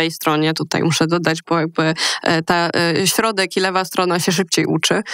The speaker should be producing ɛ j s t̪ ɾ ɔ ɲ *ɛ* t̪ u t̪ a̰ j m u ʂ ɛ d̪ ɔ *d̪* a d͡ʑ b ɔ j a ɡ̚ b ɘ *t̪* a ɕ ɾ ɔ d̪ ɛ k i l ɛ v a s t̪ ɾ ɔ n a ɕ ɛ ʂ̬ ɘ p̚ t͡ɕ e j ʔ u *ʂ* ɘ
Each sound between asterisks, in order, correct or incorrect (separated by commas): correct, correct, correct, incorrect